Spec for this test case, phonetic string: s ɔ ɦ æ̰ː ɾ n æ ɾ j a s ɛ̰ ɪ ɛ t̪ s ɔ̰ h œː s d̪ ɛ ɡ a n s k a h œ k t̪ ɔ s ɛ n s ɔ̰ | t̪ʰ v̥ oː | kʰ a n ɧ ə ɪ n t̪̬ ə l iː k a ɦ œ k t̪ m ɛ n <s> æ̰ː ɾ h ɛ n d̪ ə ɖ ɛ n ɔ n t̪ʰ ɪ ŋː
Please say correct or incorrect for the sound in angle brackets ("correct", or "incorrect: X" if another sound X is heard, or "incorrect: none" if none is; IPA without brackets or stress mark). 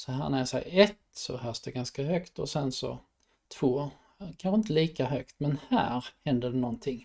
incorrect: h